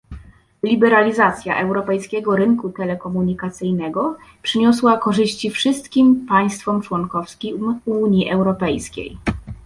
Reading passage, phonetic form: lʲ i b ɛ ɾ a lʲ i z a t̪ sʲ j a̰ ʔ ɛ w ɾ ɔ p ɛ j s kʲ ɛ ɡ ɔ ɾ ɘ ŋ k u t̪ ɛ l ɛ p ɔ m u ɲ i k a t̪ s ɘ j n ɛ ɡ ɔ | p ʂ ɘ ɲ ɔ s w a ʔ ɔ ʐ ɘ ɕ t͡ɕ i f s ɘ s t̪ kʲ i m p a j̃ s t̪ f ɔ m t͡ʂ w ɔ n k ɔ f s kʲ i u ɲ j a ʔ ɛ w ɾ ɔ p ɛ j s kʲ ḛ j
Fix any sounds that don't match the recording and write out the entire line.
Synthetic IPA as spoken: lʲ i b ɛ ɾ a lʲ i z a t̪ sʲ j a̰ ʔ ɛ w ɾ ɔ p ɛ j s kʲ ɛ ɡ ɔ ɾ ɘ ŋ k u t̪ ɛ l ɛ k ɔ m u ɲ i k a t̪ s ɘ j n ɛ ɡ ɔ | p ʂ ɘ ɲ ɔ s w a k ɔ ʐ ɘ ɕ t͡ɕ i f ʂ ɘ s t̪ kʲ i m p a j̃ s t̪ f ɔ m t͡ʂ w ɔ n k ɔ f s kʲ i u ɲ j i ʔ ɛ w ɾ ɔ p ɛ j s kʲ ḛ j